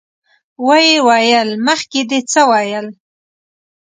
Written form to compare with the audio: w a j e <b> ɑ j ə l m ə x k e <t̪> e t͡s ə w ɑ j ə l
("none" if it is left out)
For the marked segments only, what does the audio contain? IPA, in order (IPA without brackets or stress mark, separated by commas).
w, d̪